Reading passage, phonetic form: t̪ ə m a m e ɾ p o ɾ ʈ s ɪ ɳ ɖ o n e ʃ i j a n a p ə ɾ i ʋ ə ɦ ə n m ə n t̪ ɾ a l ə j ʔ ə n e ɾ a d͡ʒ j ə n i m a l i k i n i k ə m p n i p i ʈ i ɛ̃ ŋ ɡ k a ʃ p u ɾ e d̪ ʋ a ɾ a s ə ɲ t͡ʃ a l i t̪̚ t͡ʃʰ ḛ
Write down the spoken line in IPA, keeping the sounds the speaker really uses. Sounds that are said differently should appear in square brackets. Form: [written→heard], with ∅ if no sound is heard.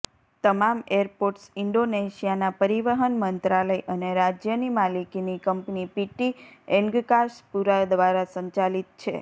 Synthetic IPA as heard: t̪ ə m a m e ɾ p o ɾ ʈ s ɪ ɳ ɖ o n e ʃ i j a n a p ə ɾ i ʋ ə ɦ ə n m ə n t̪ ɾ a l ə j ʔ ə n e ɾ a d͡ʒ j ə n i m a l i k i n i k ə m p n i p i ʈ i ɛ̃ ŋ ɡ k a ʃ p u ɾ [e→a] d̪ ʋ a ɾ a s ə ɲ t͡ʃ a l i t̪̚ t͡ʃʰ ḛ